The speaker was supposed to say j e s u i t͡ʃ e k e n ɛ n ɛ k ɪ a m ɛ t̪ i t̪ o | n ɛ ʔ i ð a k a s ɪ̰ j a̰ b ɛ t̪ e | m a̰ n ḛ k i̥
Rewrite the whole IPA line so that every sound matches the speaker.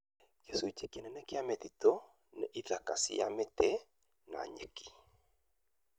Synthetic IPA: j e s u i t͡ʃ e k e n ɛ n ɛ k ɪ a m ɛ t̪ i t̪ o | n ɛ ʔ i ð a k a s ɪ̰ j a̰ m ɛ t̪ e | n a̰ ɲ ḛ k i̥